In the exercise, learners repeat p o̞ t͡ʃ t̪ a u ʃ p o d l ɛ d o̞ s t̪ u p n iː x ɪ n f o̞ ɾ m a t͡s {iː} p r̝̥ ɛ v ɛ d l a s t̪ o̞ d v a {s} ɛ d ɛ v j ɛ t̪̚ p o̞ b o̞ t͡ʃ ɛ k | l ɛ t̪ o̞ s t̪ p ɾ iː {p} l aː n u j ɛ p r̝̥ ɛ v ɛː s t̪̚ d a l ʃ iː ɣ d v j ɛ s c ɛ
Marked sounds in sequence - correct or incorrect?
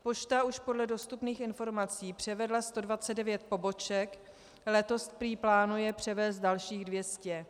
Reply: correct, incorrect: t͡s, correct

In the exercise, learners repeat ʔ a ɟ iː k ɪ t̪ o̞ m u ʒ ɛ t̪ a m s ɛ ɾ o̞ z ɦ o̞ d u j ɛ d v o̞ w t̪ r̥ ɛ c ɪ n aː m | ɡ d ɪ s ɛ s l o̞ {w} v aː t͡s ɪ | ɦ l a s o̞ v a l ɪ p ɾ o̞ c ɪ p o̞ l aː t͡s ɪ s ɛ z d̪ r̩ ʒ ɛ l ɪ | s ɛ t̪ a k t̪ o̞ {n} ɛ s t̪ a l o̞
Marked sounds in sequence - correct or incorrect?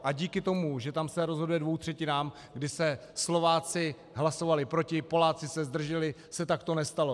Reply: incorrect: none, correct

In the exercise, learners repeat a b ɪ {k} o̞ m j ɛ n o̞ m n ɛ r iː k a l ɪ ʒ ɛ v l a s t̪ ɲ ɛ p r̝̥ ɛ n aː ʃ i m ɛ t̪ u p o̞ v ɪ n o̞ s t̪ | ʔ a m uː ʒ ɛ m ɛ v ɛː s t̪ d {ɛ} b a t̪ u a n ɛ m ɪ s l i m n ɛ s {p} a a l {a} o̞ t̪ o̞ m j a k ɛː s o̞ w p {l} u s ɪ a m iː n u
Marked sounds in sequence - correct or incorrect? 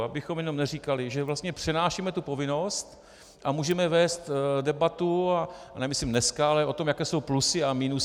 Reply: incorrect: x, correct, incorrect: k, incorrect: ɛ, correct

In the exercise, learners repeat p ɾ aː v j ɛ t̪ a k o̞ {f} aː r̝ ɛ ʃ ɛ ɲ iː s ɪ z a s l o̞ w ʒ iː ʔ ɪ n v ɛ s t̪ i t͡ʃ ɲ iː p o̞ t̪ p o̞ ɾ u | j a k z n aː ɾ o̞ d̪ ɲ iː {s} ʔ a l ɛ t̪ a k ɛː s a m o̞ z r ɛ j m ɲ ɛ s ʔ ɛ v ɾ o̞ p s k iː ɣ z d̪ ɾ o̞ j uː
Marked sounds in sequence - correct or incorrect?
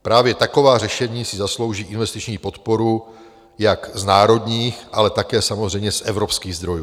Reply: incorrect: v, incorrect: x

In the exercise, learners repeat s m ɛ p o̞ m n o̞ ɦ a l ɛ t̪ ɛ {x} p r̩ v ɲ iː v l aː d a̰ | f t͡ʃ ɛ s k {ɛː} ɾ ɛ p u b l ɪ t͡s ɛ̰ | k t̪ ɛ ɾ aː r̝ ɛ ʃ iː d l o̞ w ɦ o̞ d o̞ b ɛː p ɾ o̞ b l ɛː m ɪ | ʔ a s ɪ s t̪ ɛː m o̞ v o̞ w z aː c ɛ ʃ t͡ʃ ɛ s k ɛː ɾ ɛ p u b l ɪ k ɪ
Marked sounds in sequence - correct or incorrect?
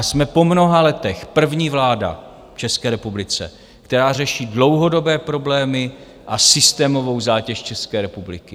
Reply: correct, correct

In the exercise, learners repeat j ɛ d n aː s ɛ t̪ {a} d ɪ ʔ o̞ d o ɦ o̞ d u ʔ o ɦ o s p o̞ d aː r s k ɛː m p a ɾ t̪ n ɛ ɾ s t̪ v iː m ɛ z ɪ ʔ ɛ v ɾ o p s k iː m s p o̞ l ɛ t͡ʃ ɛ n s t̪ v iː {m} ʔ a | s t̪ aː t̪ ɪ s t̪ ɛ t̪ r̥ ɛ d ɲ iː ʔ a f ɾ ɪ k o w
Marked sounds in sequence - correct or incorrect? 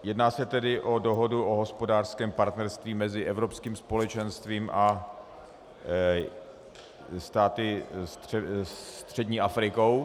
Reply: incorrect: ɛ, correct

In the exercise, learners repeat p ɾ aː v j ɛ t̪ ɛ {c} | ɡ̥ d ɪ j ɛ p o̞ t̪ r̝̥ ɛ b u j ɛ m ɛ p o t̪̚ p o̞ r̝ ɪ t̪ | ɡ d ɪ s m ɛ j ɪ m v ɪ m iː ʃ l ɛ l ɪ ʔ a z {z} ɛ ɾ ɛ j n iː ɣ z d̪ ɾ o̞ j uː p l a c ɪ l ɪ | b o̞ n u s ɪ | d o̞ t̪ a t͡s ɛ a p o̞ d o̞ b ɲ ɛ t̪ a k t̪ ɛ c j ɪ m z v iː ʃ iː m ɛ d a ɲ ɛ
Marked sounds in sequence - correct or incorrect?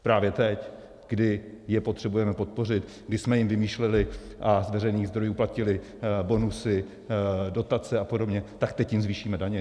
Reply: correct, incorrect: v

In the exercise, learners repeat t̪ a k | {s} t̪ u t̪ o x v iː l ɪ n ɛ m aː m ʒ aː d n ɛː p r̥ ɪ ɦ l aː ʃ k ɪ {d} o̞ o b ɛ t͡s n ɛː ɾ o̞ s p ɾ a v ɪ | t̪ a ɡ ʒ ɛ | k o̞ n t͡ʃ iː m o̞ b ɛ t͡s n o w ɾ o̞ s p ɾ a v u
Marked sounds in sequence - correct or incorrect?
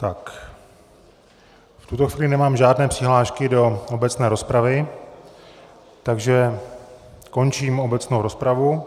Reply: incorrect: f, correct

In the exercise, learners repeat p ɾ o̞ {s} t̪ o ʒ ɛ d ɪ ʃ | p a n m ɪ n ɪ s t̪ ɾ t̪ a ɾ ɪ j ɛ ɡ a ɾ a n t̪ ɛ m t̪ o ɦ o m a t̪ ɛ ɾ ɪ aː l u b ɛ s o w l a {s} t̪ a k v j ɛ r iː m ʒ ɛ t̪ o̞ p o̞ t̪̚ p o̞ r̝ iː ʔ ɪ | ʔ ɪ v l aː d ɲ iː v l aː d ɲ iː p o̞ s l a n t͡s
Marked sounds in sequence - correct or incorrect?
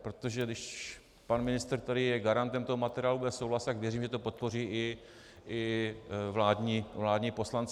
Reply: incorrect: none, correct

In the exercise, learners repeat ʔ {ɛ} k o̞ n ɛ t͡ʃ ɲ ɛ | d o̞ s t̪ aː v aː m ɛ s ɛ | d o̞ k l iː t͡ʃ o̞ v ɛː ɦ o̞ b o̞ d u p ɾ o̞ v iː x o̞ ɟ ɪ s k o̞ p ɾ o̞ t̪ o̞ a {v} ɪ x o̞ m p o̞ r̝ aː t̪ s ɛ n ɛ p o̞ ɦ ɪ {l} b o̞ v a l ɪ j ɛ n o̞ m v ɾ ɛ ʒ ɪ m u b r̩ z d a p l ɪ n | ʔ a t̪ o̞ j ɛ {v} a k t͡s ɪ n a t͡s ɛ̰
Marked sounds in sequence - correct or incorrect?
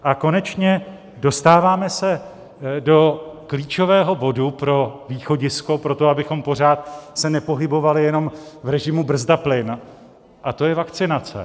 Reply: incorrect: a, incorrect: b, incorrect: none, correct

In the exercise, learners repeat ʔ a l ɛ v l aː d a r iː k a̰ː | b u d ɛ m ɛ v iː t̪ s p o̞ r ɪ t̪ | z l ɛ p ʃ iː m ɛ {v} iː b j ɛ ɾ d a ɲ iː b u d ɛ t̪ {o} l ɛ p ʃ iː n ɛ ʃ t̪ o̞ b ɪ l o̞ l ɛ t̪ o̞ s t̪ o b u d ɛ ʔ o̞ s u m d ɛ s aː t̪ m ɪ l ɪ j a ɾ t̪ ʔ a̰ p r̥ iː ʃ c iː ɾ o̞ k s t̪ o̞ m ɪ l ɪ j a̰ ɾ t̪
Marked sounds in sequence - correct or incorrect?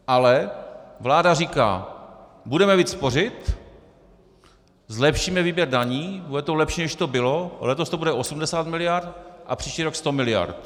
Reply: correct, correct

